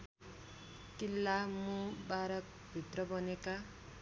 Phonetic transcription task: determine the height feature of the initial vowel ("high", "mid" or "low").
high